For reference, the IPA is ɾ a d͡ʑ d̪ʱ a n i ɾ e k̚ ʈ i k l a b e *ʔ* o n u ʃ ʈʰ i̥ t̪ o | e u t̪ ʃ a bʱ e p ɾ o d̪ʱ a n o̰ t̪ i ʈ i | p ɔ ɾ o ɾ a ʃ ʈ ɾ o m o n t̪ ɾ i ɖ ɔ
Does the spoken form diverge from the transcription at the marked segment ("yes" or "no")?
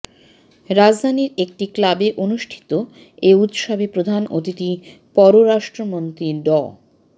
no